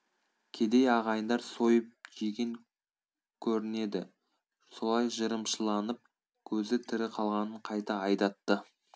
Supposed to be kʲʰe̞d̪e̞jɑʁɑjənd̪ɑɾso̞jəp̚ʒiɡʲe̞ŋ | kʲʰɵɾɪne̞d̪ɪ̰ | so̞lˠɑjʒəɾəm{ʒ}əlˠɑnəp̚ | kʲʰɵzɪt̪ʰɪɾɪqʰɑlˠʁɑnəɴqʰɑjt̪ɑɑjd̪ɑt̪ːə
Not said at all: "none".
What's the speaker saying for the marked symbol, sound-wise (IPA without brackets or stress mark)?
ʃ